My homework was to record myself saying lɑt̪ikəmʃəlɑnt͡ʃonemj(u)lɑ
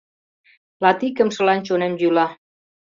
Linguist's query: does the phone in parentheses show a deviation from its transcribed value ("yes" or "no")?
no